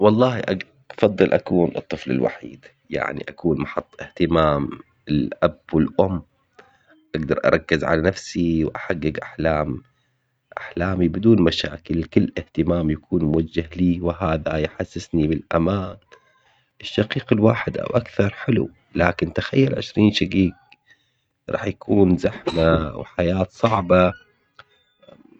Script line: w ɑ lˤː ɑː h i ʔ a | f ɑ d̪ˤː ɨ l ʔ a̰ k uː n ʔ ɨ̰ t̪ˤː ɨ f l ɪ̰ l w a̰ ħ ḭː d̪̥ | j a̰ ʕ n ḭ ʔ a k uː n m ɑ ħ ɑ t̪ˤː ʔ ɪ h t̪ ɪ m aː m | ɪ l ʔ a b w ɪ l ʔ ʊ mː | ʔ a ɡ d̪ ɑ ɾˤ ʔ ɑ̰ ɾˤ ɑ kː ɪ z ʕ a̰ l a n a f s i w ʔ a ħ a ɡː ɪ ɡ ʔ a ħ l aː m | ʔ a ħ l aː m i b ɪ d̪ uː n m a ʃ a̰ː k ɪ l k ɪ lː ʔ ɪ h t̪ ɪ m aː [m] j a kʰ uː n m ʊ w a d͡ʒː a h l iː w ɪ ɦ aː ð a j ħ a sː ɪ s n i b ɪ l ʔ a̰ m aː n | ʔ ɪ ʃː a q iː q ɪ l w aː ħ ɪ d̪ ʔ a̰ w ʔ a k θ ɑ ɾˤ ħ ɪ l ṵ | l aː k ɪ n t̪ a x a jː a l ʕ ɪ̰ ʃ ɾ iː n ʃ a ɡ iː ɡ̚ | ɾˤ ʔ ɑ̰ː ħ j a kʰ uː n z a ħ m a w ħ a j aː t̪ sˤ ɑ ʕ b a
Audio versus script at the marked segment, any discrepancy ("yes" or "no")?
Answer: no